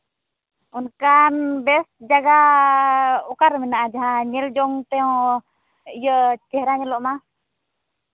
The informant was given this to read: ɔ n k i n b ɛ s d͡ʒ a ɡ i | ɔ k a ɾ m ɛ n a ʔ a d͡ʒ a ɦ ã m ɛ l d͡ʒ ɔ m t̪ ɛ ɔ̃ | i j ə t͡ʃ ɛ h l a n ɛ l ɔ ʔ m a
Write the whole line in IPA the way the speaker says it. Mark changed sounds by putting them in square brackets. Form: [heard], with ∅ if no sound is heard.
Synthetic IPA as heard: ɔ n k [a] n b ɛ s d͡ʒ a ɡ [a] | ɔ k a ɾ m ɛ n a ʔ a d͡ʒ a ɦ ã [ɲ] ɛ l d͡ʒ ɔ [ŋ] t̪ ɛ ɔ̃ | i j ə t͡ʃ ɛ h [ɾ] a [ɲ] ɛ l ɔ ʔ m a